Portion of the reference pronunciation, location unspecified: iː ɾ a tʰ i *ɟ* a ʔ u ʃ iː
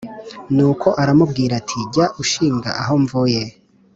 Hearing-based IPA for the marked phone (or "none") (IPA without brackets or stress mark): ɟ